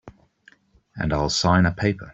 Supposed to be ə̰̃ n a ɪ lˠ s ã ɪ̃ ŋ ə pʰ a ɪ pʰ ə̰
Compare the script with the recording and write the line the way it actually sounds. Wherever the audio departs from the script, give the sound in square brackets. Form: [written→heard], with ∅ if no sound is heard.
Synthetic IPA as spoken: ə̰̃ n a ɪ lˠ s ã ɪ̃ [ŋ→n] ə pʰ [a→e] ɪ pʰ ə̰